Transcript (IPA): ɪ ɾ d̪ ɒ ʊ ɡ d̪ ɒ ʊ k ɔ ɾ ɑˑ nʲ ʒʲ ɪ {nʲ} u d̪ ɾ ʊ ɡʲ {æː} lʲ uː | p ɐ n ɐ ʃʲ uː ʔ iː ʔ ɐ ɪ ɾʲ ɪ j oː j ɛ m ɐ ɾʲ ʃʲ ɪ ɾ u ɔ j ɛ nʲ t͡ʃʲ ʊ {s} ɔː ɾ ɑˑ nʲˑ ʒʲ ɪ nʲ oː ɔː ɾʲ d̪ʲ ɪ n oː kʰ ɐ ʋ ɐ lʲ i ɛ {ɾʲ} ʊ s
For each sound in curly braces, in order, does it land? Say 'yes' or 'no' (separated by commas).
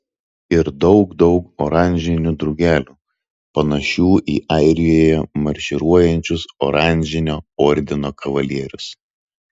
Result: yes, yes, yes, yes